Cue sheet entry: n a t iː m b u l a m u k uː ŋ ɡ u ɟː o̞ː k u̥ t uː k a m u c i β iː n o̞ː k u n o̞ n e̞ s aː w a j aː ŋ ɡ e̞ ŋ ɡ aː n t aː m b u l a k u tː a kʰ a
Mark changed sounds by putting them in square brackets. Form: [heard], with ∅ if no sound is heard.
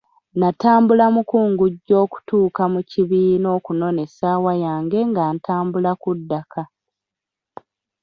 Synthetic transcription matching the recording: n a t [aː] m b u l a m u k uː ŋ ɡ u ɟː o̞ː k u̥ t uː k a m u c i β iː n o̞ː k u n o̞ n e̞ s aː w a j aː ŋ ɡ e̞ ŋ ɡ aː n t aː m b u l a k u [dː] a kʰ a